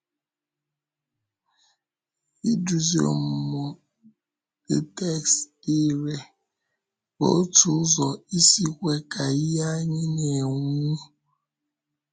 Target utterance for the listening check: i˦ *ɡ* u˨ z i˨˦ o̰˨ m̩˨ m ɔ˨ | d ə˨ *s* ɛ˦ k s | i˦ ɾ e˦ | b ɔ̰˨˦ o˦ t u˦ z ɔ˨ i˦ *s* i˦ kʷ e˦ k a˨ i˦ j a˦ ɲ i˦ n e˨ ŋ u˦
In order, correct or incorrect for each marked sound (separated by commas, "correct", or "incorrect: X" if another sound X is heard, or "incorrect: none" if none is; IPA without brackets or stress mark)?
incorrect: d, incorrect: t, correct